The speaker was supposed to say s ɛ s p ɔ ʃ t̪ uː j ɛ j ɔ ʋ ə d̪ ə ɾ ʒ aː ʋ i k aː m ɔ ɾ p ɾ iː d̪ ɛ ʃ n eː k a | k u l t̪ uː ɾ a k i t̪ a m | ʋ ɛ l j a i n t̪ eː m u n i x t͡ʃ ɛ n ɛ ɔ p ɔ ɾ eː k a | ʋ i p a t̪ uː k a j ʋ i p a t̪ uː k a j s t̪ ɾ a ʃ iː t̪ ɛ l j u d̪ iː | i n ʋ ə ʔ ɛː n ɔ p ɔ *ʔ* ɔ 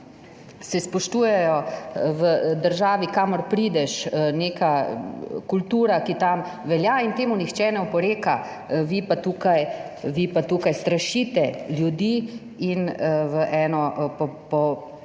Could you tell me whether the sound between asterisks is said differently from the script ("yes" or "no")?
yes